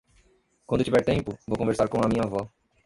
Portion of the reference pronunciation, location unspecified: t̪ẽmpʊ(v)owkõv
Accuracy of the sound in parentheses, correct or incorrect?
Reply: correct